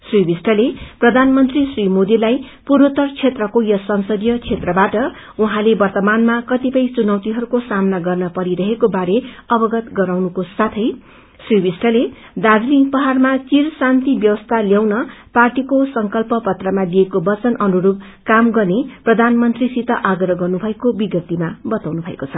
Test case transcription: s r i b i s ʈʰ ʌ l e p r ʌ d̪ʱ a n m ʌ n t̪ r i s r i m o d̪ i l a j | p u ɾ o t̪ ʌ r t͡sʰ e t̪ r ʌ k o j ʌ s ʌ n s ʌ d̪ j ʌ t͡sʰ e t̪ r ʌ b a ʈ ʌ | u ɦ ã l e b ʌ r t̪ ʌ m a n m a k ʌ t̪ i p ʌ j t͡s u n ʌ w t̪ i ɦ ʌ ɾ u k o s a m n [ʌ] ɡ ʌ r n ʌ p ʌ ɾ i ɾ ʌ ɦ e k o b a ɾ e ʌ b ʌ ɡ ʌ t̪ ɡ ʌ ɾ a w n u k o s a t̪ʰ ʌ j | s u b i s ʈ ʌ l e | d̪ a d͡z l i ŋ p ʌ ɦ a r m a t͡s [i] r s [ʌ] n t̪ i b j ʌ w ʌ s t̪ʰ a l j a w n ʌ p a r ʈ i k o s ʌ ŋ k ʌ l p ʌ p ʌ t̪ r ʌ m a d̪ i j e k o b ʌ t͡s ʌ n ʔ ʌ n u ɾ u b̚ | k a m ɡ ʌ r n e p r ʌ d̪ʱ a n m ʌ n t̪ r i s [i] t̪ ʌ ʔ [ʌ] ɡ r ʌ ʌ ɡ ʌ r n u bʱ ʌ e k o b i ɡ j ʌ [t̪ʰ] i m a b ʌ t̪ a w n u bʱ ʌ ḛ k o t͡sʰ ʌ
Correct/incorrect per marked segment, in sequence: incorrect: a, correct, incorrect: a, correct, incorrect: a, incorrect: t̪

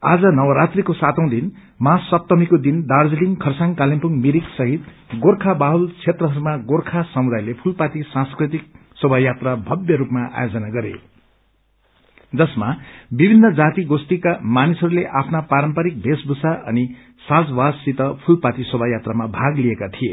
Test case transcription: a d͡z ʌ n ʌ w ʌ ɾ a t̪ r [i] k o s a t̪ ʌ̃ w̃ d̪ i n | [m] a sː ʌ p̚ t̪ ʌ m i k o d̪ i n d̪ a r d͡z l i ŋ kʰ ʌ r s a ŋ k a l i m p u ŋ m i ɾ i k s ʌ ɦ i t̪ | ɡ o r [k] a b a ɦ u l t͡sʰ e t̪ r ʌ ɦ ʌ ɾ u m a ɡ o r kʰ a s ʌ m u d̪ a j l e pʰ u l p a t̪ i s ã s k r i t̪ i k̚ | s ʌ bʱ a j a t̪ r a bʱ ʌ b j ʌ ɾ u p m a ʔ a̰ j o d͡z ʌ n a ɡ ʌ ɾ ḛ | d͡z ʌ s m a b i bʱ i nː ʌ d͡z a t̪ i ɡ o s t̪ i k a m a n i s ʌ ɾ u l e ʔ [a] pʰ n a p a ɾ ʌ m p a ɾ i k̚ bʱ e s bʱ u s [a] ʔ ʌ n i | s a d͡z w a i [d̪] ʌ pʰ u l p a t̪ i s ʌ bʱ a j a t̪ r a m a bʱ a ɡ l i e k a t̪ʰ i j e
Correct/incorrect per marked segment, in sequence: correct, correct, incorrect: kʰ, correct, correct, incorrect: t̪

